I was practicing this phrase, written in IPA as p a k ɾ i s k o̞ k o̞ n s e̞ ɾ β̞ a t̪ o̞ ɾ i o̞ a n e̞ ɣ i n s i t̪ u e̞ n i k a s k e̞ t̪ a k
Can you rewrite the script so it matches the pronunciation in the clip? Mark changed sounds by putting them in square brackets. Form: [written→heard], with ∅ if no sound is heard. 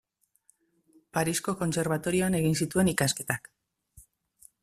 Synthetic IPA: p a [k→∅] ɾ i s k o̞ k o̞ n s e̞ ɾ β̞ a t̪ o̞ ɾ i o̞ a n e̞ ɣ i n s i t̪ u e̞ n i k a s k e̞ t̪ a k